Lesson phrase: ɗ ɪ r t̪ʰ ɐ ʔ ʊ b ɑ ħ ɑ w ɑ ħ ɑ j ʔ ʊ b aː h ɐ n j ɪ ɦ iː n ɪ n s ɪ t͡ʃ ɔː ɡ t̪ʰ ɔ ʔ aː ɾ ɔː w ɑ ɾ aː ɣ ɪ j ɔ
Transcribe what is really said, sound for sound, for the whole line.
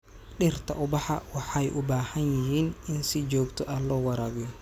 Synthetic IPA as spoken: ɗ ɪ r t̪ʰ ɐ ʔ ʊ b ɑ ħ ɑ w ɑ ħ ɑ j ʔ ʊ b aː h ɐ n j ɪ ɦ iː n ɪ n s ɪ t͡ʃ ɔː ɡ t̪ʰ ɔ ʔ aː l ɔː w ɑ ɾ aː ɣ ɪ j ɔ